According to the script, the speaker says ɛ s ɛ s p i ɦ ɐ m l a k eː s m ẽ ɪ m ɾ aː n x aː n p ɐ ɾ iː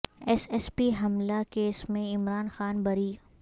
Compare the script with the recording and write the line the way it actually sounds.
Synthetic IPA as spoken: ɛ s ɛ s p i ɦ ɐ m l a k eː s m ẽ ɪ m ɾ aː n x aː n b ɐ ɾ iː